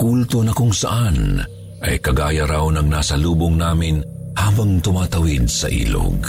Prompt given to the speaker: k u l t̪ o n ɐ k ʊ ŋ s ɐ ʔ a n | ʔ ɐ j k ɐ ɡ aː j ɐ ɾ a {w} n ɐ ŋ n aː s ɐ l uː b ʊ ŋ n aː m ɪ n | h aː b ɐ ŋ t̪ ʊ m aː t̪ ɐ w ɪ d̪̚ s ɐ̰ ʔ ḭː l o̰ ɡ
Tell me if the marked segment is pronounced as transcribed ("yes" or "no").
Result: yes